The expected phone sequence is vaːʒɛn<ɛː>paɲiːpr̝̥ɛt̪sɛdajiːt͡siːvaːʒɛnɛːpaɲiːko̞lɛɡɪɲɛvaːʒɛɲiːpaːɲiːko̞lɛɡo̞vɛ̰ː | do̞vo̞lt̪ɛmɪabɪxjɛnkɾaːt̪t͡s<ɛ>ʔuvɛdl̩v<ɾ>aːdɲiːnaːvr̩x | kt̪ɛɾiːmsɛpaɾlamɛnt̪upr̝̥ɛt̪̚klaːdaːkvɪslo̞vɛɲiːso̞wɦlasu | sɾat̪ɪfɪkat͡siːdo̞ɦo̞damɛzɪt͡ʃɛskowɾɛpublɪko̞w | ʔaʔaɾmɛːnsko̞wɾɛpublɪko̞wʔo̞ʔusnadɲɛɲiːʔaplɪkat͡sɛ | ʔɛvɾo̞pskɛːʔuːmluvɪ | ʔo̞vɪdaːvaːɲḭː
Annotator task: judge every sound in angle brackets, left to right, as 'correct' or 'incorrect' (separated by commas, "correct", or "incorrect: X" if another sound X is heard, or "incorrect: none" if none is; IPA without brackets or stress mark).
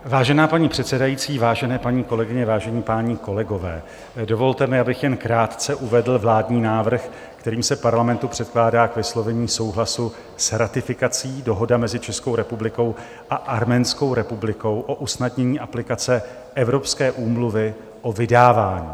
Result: incorrect: aː, correct, incorrect: l